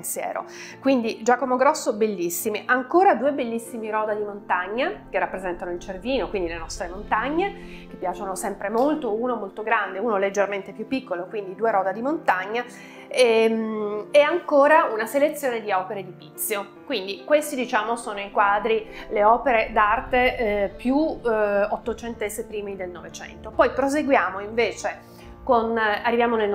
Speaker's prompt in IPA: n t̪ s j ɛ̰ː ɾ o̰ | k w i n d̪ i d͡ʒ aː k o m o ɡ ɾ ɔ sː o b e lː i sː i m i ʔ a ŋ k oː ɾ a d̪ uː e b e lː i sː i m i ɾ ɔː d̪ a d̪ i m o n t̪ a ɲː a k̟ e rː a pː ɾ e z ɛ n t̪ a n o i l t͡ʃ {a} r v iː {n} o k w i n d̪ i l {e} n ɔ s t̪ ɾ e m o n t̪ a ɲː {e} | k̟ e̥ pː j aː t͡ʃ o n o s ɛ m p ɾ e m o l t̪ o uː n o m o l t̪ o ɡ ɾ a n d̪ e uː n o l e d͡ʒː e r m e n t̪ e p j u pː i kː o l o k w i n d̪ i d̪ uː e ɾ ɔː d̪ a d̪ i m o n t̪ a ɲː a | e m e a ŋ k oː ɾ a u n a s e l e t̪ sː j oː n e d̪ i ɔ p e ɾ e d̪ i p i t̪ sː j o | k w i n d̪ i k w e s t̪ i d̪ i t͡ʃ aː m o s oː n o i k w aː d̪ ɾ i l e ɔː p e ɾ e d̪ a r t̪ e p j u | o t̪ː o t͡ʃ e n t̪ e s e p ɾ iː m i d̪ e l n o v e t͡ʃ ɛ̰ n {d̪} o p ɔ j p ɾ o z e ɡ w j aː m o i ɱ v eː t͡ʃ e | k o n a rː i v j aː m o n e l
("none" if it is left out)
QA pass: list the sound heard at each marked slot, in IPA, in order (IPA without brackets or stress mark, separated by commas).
e, n, e, e, t̪